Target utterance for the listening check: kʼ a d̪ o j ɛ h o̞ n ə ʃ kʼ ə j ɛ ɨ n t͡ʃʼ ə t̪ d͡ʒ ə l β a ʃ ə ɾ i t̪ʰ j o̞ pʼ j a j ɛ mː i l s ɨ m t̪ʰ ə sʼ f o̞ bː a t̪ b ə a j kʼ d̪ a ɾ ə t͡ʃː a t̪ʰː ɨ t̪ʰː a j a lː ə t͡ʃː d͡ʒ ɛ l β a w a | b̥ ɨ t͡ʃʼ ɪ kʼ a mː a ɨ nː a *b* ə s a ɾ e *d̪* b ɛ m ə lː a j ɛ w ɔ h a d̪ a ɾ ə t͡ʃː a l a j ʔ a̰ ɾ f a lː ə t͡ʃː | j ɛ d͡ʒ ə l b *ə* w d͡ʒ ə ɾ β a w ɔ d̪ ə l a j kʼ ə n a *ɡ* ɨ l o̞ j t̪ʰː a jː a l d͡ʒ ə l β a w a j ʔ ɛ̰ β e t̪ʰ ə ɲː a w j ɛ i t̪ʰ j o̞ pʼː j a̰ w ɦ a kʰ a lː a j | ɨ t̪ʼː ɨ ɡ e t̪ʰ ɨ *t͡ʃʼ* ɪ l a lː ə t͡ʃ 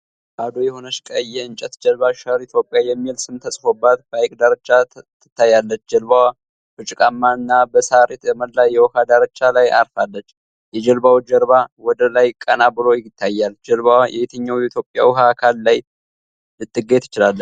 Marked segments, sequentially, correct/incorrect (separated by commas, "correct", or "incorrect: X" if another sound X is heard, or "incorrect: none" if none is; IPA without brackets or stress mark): correct, incorrect: t̪, incorrect: a, incorrect: b, incorrect: t͡ʃ